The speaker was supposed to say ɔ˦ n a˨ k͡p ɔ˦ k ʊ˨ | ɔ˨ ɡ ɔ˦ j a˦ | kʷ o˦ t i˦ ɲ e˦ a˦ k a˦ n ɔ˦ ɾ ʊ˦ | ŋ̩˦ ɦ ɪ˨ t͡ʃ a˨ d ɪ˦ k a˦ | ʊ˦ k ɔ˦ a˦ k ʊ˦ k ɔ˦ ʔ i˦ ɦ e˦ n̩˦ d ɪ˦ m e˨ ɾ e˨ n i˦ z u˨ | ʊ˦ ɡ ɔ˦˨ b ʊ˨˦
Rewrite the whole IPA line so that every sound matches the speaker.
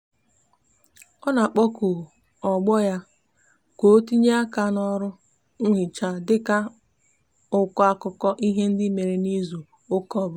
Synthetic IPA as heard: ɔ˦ n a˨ k͡p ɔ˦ k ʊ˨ | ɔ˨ ɡ͡b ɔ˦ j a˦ | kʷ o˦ t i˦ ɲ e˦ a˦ k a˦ n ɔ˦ ɾ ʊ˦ | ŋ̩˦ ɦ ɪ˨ t͡ʃ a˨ d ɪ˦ k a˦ | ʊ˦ k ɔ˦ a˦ k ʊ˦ k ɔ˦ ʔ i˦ ɦ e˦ n̩˦ d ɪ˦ m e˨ ɾ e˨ n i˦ z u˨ | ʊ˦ k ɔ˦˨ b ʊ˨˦